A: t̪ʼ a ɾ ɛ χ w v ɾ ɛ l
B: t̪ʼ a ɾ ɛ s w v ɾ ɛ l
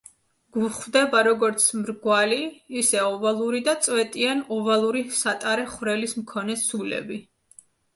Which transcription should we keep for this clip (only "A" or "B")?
A